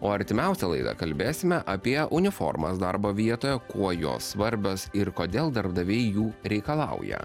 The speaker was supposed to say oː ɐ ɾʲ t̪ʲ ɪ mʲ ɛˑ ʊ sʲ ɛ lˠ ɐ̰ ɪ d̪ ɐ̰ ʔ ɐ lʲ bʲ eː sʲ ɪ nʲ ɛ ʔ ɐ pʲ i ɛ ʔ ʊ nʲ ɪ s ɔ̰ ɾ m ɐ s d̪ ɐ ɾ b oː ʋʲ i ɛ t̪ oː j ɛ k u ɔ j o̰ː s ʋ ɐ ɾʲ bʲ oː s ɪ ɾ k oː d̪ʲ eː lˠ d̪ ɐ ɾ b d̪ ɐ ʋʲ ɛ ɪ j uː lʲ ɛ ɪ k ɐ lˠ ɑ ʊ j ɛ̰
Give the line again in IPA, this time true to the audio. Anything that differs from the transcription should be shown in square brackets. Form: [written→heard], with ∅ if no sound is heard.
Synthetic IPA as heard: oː ɐ ɾʲ t̪ʲ ɪ mʲ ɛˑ ʊ sʲ ɛ lˠ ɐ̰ ɪ d̪ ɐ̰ [ʔ→k] ɐ lʲ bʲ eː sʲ ɪ [nʲ→mʲ] ɛ ʔ ɐ pʲ i ɛ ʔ ʊ nʲ ɪ [s→f] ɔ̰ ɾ m ɐ s d̪ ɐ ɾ b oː ʋʲ i ɛ t̪ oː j ɛ k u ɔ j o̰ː s ʋ ɐ ɾʲ bʲ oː s ɪ ɾ k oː d̪ʲ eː lˠ d̪ ɐ ɾ b d̪ ɐ ʋʲ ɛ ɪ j uː [lʲ→ɾʲ] ɛ ɪ k ɐ lˠ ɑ ʊ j ɛ̰